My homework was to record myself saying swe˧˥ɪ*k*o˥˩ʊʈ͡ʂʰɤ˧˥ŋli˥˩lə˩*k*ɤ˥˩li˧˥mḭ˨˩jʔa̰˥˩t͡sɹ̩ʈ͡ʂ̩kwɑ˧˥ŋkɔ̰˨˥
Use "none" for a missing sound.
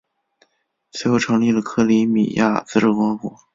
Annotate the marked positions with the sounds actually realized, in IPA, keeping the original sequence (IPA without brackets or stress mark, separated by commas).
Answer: x, kʰ